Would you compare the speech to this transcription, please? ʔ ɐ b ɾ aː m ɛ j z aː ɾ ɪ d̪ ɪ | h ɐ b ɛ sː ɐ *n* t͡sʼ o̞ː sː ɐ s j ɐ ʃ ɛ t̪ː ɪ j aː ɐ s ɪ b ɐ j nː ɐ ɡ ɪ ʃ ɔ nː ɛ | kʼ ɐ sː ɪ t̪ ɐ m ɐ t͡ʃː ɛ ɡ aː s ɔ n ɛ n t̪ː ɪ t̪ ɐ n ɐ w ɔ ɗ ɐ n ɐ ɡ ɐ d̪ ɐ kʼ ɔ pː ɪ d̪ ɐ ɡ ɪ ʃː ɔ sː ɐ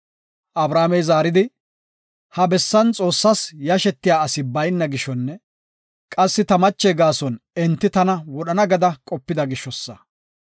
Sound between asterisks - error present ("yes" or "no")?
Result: no